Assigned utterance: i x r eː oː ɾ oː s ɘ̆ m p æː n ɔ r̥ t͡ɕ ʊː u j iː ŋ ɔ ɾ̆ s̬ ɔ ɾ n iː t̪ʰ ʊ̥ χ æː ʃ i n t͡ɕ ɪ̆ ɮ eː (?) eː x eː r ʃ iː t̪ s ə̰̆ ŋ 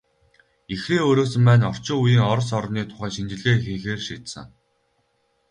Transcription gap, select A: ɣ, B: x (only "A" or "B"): B